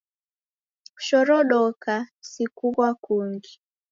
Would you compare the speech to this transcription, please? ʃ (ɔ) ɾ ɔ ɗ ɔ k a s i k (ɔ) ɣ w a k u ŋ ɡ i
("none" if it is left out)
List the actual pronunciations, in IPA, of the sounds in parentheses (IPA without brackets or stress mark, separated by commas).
ɔ, u